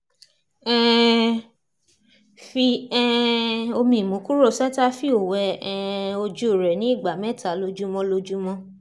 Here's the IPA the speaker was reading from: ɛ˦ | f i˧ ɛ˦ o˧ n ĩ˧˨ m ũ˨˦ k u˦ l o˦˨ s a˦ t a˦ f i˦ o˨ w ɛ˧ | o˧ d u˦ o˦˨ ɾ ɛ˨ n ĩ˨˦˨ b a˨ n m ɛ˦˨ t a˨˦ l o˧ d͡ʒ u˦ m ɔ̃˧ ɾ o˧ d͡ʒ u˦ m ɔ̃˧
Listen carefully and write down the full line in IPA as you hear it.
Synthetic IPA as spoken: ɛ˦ | f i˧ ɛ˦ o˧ m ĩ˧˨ m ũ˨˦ k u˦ ɾ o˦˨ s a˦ t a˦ f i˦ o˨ w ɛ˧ | o˧ d͡ʒ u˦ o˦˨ ɾ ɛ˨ n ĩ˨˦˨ ɡ͡b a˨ m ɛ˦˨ t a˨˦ l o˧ d͡ʒ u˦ m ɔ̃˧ l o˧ d͡ʒ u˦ m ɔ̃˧